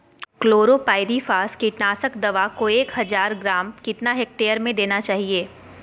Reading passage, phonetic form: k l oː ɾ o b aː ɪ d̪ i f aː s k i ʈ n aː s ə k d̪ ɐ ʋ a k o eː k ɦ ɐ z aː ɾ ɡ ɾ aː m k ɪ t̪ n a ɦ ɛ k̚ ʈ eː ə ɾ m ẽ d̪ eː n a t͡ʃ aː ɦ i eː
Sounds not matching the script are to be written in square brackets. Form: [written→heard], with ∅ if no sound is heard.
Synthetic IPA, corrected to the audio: k l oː ɾ o [b→p] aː ɪ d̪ i f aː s k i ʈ n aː s ə k d̪ ɐ ʋ a k o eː k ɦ ɐ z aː ɾ ɡ ɾ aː m k ɪ t̪ n a ɦ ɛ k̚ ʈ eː ə ɾ m ẽ d̪ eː n a t͡ʃ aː ɦ i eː